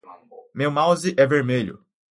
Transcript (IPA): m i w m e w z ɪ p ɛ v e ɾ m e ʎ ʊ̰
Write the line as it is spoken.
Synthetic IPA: m e w m a w z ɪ ʔ ɛ v e ɾ m e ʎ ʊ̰